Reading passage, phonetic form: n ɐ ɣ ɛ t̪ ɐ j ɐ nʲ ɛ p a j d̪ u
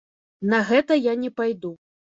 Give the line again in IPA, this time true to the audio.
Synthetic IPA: n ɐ ɣ ɛ t̪ ɐ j a nʲ ɛ p a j d̪ u